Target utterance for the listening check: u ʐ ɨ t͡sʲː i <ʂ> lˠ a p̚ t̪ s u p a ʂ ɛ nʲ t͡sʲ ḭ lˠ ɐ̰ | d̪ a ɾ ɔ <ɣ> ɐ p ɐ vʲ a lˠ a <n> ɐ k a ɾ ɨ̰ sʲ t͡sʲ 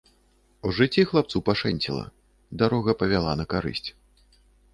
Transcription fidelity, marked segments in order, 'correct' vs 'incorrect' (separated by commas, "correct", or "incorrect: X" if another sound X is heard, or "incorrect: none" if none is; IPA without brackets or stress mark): incorrect: x, correct, correct